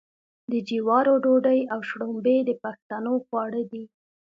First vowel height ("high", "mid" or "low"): mid